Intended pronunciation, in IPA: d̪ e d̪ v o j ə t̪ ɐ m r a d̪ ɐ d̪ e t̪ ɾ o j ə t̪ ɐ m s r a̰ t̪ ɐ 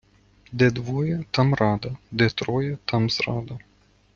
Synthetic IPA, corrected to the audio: d̪ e d̪ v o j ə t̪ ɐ m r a d̪ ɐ d̪ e t̪ ɾ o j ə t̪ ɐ m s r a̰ d̪ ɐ